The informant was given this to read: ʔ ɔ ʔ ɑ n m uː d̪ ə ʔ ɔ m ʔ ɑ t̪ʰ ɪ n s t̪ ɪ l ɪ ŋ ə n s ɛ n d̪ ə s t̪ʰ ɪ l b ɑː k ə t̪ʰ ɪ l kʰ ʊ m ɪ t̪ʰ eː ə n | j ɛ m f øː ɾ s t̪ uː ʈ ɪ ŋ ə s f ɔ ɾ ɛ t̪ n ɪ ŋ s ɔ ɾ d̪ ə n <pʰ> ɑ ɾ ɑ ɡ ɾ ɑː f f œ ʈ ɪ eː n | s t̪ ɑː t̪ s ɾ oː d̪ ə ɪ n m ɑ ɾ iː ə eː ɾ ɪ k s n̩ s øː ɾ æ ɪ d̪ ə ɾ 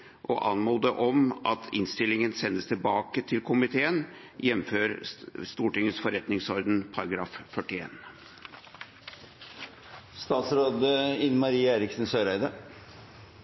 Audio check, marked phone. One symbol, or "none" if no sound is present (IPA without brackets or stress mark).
pʰ